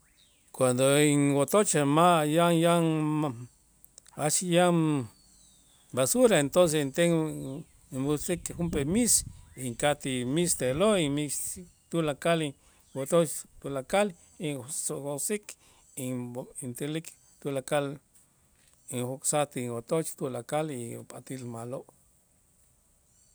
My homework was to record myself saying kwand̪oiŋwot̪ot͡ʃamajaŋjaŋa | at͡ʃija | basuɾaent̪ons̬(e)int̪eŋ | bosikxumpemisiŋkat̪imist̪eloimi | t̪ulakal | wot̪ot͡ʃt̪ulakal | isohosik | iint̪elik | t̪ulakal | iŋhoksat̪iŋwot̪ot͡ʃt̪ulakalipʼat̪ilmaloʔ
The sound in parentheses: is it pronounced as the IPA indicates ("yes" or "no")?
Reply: yes